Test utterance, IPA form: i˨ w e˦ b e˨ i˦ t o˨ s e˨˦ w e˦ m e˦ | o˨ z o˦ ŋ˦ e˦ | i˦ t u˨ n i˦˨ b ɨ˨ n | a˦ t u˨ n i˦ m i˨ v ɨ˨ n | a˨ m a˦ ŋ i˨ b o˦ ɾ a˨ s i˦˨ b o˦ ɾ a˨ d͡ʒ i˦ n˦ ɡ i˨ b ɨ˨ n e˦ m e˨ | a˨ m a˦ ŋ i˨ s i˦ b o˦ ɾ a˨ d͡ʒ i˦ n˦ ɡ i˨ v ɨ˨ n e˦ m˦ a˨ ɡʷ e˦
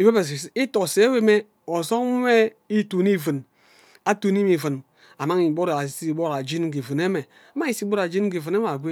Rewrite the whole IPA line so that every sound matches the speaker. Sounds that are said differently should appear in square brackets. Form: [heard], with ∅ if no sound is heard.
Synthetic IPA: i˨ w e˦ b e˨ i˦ t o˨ s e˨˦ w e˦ m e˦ | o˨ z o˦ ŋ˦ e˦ | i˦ t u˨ n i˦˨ [v] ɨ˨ n | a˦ t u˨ n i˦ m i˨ v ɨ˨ n | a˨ m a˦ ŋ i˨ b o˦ ɾ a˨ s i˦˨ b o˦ ɾ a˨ d͡ʒ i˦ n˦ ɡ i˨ [v] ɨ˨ n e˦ m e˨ | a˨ m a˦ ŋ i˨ s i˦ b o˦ ɾ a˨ d͡ʒ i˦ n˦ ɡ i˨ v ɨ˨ n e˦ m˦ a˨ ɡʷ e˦